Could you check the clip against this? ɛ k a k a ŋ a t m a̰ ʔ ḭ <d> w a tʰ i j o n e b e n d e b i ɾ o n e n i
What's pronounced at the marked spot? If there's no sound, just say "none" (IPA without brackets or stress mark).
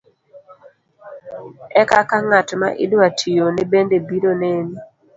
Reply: d